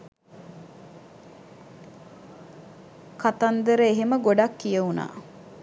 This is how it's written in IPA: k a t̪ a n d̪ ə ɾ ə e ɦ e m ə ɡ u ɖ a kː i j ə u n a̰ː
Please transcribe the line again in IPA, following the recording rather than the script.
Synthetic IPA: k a t̪ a n d̪ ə ɾ ə e ɦ e m ə ɡ o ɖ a kː i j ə u n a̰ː